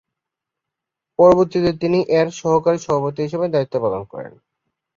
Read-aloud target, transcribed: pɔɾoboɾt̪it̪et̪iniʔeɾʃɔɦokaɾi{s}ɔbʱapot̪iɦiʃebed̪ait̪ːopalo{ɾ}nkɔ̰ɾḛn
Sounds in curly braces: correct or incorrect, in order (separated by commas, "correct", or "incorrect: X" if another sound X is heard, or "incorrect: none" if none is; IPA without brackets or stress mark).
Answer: incorrect: ʃ, incorrect: none